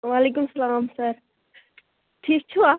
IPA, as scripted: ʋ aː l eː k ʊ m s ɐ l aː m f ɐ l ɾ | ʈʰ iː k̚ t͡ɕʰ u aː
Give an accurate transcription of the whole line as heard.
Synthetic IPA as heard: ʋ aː l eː k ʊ m s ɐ l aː m s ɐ ɾ | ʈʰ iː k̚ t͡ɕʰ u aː